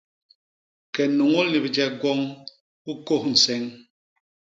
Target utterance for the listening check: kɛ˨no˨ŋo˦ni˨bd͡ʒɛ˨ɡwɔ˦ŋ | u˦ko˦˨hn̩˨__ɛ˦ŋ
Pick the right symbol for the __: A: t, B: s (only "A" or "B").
B